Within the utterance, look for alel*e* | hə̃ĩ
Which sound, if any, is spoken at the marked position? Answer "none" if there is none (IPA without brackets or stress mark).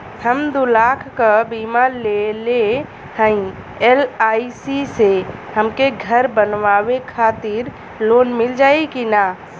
e